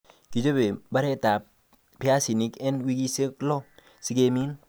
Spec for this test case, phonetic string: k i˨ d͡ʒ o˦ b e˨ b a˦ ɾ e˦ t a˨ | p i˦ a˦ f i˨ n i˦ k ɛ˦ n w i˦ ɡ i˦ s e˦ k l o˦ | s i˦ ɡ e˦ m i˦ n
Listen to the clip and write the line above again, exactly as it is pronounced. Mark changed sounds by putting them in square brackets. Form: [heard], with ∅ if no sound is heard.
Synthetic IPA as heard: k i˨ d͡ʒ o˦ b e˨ b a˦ ɾ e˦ t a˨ | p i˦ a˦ [s] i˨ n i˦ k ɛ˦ n w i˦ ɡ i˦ s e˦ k l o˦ | s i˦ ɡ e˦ m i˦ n